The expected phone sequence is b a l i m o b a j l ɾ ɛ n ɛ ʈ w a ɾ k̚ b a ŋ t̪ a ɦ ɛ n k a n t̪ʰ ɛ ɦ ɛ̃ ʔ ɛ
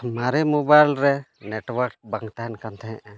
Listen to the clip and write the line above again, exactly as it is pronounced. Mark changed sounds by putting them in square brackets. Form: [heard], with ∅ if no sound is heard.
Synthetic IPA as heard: [m] a [ɾ] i m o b a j l ɾ ɛ n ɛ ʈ w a ɾ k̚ b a ŋ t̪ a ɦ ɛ n k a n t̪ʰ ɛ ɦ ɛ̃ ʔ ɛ